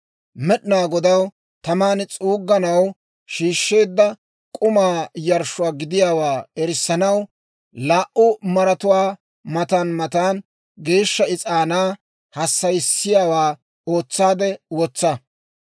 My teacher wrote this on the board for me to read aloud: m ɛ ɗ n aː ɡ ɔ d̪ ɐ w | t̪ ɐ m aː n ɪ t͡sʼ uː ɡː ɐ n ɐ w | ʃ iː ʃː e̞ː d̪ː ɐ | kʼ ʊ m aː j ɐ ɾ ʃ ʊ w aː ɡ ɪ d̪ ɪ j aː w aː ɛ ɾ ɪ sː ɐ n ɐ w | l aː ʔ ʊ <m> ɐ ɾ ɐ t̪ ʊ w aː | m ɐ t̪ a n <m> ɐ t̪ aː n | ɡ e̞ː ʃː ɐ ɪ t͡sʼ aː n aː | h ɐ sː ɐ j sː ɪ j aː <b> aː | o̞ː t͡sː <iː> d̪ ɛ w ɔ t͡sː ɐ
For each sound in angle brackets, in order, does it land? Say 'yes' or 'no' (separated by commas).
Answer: yes, yes, no, no